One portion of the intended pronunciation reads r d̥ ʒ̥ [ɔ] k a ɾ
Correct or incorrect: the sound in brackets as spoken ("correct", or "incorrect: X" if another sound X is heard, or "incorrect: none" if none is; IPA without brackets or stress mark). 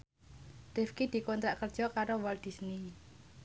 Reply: correct